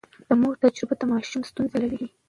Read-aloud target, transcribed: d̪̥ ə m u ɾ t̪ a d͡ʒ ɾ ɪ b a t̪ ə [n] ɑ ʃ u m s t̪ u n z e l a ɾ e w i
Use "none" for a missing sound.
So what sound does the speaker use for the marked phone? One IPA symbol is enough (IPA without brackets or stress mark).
m